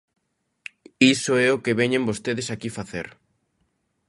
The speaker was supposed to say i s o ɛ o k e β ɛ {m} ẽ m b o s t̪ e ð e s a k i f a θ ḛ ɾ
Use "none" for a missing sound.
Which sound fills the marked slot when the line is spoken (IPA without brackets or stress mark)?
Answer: ɲ